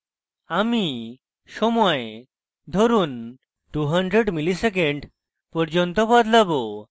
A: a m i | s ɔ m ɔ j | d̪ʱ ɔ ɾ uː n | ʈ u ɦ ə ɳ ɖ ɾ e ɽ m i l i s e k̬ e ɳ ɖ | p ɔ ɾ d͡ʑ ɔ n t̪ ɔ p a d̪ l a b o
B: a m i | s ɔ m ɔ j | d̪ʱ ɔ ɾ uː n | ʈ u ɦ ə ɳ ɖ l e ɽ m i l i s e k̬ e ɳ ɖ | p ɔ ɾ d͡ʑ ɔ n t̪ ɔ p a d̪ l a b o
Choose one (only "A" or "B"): A